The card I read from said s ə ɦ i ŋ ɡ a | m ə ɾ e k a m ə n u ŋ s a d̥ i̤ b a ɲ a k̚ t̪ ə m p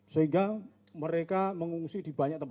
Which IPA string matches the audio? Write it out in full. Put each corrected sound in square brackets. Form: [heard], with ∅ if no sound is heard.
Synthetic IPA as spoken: s ə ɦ i ŋ ɡ a | m ə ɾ e k a m ə [ŋ] u ŋ s [i] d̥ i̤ b a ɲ a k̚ t̪ ə m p